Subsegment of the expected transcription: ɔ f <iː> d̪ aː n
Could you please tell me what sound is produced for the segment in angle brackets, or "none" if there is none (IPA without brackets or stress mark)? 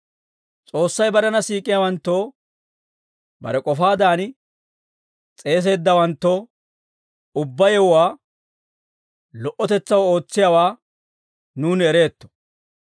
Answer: aː